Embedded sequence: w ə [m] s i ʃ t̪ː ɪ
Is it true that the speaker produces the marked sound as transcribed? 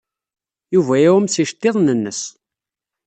yes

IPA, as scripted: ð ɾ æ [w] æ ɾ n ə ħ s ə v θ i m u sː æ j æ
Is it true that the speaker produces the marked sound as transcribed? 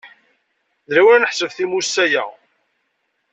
yes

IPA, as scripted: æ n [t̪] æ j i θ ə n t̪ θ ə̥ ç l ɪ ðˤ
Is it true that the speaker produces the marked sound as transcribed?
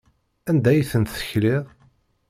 no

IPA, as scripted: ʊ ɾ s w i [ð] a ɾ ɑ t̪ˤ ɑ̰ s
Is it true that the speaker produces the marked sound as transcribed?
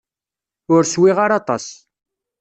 no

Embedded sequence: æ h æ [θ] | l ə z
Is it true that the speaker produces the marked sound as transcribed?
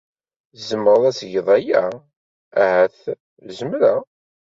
yes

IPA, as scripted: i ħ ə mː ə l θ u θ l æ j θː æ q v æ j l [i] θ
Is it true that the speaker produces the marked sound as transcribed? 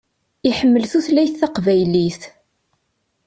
yes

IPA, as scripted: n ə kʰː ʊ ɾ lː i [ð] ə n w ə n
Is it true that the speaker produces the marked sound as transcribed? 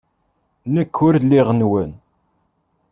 no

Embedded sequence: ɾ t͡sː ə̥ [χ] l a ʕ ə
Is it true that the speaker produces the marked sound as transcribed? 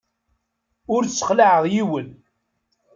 yes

